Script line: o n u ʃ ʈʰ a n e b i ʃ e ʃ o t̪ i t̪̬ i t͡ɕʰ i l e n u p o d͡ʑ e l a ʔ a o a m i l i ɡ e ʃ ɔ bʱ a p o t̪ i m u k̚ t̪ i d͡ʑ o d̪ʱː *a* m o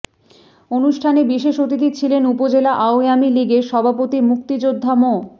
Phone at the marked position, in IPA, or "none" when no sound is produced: a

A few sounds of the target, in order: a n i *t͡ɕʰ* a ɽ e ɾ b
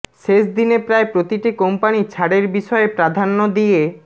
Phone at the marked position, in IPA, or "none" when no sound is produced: t͡ɕʰ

